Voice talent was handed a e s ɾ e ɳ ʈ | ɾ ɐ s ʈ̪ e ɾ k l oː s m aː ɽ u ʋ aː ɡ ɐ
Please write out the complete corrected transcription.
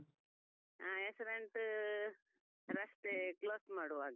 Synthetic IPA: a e s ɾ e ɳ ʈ | ɾ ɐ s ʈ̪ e k l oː s m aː ɽ u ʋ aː ɡ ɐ

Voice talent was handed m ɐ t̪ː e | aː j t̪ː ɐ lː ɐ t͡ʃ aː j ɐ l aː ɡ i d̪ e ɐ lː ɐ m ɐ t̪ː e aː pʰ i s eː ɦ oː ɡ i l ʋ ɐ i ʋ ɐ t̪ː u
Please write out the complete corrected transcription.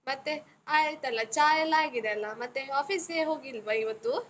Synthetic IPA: m ɐ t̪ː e | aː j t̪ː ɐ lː ɐ t͡ʃ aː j ɐ l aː ɡ i d̪ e ɐ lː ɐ m ɐ t̪ː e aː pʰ i s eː ɦ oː ɡ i l ʋ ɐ i ʋ ɐ t̪ː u

